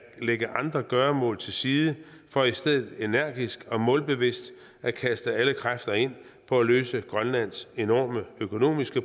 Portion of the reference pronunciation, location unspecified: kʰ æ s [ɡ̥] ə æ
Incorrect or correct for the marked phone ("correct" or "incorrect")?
incorrect